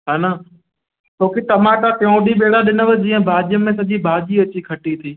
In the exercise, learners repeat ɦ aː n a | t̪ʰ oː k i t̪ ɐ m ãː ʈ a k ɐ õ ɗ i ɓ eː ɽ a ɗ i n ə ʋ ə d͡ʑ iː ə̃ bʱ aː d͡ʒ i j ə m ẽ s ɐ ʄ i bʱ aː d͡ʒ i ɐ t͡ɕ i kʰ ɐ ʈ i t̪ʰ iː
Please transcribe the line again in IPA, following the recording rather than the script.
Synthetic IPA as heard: ɦ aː n a | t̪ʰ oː k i t̪ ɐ m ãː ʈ a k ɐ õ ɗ i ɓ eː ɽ a ɗ ɪ n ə ʋ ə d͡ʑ iː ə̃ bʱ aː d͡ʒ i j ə m ẽ s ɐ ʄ i bʱ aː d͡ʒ i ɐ t͡ɕ i kʰ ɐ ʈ i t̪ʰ iː

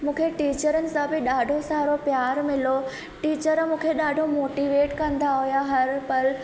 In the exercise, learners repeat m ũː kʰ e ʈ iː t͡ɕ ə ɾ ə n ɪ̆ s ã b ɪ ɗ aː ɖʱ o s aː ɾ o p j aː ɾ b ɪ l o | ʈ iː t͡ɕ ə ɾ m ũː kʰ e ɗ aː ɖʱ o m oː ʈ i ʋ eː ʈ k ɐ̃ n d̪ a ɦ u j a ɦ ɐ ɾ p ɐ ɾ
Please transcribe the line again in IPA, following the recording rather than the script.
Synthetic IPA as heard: m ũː kʰ e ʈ iː t͡ɕ ə ɾ ə n ɪ̆ s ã b ɪ ɗ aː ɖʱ o s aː ɾ o p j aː ɾ m ɪ l o | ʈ iː t͡ɕ ə ɾ m ũː kʰ e ɗ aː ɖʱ o m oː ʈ i ʋ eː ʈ k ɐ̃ n d̪ a ɦ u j a ɦ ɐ ɾ p ɐ ɾ

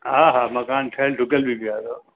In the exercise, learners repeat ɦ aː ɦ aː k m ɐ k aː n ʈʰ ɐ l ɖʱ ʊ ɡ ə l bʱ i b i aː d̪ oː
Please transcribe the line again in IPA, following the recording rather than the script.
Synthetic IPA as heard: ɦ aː ɦ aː m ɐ k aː n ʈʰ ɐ l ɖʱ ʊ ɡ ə l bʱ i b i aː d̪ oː

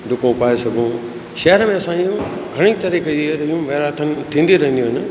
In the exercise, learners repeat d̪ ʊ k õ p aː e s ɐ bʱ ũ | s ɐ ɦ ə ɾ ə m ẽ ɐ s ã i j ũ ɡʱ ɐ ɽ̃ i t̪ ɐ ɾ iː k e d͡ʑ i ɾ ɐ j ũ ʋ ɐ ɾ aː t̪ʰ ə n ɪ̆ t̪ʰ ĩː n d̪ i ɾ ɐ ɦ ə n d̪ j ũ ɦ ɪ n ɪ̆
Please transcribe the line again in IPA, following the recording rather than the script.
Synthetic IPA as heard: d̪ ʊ k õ p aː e s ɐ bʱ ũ | ʃ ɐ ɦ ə ɾ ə m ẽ ɐ s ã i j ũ ɡʱ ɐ ɽ̃ i t̪ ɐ ɾ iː k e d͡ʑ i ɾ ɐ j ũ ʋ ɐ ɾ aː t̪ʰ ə n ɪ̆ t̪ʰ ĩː n d̪ i ɾ ɐ ɦ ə n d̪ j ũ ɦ ɪ n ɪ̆

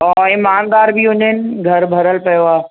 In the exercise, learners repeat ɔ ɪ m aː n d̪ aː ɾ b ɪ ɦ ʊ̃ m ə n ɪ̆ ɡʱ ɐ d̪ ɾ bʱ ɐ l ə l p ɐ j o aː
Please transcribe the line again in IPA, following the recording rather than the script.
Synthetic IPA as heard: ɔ ɪ m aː n d̪ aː ɾ b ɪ ɦ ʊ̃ ɲ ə n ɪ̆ ɡʱ ɐ ɾ bʱ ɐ ɾ ə l p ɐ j o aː

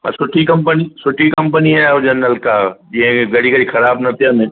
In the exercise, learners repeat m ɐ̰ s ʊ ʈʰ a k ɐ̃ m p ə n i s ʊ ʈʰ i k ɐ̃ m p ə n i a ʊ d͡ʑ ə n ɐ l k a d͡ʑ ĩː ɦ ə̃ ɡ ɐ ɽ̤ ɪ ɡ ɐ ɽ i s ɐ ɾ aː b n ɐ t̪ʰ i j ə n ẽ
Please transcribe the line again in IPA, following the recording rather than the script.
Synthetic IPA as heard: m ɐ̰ s ʊ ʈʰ i k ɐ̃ m p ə n i s ʊ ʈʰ i k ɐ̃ m p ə n i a ʊ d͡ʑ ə n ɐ l k a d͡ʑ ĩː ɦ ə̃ ɡ ɐ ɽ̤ i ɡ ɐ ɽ i x ɐ ɾ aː b n ɐ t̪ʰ i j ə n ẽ

